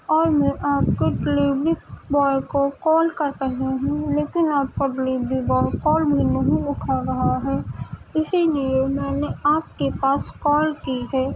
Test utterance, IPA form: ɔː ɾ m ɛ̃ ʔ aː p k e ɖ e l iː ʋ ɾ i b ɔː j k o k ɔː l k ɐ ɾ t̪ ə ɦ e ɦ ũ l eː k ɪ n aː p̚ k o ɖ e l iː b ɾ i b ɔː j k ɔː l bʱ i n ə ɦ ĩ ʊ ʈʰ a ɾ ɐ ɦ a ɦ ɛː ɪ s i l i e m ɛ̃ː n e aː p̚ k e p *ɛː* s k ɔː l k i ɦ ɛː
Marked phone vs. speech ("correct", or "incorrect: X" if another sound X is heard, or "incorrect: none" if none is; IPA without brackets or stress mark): incorrect: aː